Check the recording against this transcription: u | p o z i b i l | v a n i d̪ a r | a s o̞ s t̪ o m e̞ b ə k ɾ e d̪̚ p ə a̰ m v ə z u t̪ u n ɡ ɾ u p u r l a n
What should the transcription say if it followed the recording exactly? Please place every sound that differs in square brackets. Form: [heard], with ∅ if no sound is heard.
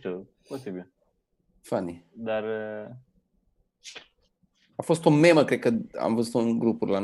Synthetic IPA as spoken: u | p o [s] i b i l | [f] a n i d̪ a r | a [f] o̞ s t̪ o m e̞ [m] ə k ɾ e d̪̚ [k] ə a̰ m v ə z u t̪ u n ɡ ɾ u p u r l a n